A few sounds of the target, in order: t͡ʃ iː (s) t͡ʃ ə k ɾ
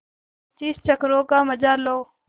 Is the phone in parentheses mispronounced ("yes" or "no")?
no